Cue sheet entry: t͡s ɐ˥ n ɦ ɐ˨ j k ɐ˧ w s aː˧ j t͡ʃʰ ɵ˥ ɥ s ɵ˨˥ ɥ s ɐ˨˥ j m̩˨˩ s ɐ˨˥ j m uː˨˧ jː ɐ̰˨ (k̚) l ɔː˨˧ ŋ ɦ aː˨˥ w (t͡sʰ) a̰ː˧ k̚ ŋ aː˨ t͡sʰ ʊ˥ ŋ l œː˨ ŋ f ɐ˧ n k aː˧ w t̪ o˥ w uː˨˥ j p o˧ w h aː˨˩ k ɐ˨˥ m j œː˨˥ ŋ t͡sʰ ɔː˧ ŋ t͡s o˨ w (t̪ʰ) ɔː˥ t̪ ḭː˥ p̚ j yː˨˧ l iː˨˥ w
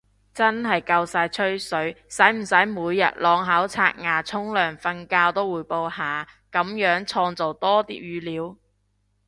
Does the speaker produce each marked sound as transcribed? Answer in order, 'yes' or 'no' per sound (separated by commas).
no, yes, no